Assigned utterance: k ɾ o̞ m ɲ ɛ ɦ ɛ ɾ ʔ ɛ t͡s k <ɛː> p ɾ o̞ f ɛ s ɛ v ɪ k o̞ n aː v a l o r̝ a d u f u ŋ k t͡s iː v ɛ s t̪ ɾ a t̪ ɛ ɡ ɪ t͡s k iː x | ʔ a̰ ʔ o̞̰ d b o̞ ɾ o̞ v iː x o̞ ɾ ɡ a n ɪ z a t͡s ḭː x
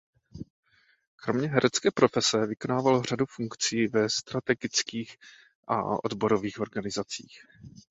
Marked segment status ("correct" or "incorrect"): correct